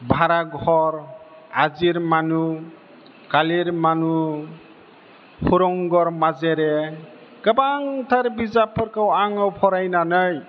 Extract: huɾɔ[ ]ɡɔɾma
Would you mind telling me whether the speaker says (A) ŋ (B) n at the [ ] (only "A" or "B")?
A